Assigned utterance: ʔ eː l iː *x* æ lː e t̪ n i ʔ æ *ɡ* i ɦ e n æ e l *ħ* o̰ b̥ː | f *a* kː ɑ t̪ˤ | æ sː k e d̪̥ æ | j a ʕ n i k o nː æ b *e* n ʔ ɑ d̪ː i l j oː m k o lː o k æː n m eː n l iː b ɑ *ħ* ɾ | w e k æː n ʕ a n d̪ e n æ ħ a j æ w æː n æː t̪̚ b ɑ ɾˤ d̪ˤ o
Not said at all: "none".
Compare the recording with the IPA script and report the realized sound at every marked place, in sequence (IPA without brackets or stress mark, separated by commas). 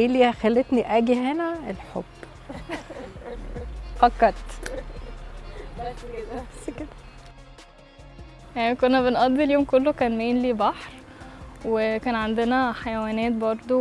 x, ɡ, ħ, ɑ, e, ħ